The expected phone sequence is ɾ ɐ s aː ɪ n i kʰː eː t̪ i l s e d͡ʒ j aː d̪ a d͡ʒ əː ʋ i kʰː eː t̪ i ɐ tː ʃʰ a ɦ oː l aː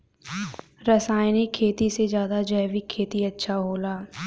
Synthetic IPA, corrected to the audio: ɾ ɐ s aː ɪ n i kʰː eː t̪ i s e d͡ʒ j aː d̪ a d͡ʒ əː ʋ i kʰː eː t̪ i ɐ tː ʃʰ a ɦ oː l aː